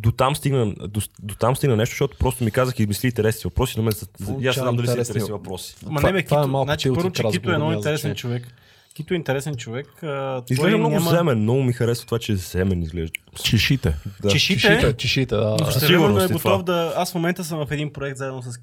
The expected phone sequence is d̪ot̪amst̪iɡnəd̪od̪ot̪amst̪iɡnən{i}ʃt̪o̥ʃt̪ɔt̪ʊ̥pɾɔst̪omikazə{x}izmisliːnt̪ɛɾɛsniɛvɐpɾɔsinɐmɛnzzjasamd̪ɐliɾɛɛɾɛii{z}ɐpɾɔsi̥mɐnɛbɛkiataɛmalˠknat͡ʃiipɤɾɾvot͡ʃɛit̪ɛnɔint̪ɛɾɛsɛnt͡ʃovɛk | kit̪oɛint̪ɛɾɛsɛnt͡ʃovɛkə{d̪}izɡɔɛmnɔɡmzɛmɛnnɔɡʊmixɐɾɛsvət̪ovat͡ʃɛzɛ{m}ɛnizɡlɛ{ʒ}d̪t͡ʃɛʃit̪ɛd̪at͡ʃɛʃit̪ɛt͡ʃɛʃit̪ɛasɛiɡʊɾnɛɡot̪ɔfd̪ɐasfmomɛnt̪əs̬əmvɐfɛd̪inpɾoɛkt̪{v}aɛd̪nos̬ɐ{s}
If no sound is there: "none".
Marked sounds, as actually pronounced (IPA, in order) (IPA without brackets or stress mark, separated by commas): ɛ, x, v, t̪, m, ʒ, z, s